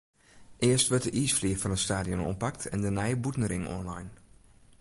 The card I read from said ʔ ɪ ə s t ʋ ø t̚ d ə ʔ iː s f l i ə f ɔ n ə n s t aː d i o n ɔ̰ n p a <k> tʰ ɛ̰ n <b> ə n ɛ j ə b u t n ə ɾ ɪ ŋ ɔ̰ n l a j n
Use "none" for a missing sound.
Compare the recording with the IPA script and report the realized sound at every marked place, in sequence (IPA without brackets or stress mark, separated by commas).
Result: k, d